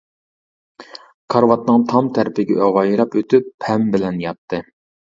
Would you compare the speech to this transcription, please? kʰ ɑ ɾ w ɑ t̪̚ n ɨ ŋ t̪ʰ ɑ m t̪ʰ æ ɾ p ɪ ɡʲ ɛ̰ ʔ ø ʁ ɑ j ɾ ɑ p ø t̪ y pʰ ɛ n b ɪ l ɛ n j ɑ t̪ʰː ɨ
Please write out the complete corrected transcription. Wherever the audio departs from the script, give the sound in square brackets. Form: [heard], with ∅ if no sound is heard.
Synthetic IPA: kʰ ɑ ɾ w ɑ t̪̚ n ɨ ŋ t̪ʰ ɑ m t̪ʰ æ ɾ p ɪ ɡʲ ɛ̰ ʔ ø ʁ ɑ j ɾ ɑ p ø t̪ y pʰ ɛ [m] b ɪ l ɛ n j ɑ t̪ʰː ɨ